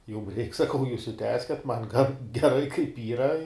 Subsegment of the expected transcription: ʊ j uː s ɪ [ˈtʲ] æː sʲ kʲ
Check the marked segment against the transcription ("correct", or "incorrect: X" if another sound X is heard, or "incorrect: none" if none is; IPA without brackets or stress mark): correct